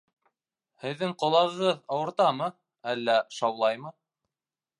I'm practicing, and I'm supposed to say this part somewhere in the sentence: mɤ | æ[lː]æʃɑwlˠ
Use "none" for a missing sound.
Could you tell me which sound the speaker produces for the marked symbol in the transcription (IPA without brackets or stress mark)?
lː